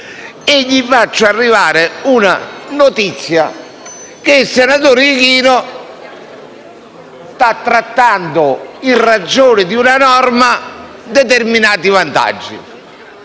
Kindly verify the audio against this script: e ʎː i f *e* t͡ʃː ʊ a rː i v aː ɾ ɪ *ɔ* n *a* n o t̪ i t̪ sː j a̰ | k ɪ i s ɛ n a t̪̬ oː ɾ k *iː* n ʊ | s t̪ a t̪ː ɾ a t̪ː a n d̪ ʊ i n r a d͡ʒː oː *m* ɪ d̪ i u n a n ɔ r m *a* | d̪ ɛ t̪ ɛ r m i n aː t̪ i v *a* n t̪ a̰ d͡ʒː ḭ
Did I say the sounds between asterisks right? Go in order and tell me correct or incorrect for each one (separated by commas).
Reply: incorrect, incorrect, correct, correct, incorrect, correct, correct